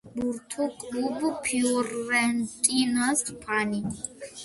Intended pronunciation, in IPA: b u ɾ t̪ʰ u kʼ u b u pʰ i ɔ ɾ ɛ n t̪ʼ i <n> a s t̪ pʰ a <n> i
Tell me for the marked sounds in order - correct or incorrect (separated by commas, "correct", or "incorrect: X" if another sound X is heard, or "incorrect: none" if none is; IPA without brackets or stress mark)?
correct, correct